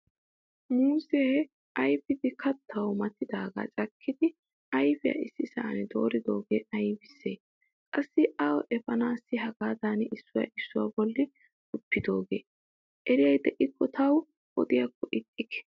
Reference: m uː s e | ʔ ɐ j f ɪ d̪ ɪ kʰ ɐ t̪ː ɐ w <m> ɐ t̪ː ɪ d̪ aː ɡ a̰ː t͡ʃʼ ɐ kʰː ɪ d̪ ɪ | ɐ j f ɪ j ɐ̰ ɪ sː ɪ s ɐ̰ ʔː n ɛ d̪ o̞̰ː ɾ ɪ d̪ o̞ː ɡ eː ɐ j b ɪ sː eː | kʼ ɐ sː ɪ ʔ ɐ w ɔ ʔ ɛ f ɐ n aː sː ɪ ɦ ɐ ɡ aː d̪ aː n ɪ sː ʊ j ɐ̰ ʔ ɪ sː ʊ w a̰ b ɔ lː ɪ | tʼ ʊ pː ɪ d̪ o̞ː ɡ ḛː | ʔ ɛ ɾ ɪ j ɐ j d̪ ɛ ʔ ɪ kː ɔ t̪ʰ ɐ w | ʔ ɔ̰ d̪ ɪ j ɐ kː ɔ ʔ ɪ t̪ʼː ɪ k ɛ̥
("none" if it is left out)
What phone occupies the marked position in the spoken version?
m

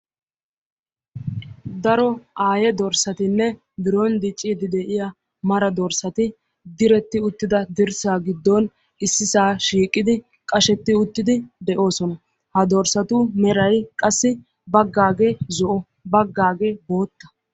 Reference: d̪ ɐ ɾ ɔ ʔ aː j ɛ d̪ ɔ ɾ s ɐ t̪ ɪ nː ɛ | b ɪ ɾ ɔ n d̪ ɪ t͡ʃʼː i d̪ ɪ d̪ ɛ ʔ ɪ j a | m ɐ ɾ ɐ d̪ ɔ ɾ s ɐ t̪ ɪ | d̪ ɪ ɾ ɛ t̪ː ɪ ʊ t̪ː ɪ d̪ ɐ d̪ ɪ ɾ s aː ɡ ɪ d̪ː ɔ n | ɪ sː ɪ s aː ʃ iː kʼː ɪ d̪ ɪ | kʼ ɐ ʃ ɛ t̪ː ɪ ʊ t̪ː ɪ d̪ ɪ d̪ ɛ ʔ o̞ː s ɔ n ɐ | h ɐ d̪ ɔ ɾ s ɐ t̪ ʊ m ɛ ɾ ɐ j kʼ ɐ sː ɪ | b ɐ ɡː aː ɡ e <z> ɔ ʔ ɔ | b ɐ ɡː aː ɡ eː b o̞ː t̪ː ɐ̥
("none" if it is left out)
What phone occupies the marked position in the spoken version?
z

